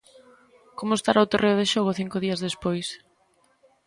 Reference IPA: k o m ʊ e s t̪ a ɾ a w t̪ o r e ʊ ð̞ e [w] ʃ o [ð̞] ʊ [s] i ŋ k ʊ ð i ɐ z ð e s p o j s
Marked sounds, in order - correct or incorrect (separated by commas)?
incorrect, incorrect, incorrect